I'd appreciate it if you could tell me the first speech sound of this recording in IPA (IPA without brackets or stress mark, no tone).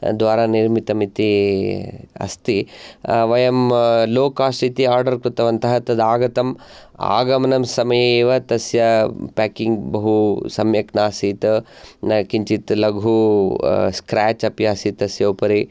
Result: d̪